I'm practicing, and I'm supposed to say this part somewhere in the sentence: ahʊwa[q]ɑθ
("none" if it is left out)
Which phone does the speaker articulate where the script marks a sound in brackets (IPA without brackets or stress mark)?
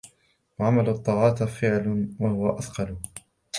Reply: ʔ